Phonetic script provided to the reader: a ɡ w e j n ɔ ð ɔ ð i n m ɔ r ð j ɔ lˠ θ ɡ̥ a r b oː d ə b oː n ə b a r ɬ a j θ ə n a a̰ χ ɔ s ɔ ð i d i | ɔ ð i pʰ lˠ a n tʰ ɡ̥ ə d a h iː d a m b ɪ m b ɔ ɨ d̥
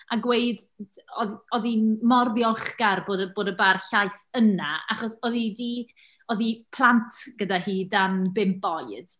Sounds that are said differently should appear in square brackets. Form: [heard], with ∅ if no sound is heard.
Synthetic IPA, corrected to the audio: a ɡ w e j [d] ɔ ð ɔ ð i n m ɔ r ð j ɔ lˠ [χ] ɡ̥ a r b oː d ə b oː [d] ə b a r ɬ a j θ ə n a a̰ χ ɔ s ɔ ð i d i | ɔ ð i pʰ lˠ a n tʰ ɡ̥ ə d a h iː d a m b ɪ m b ɔ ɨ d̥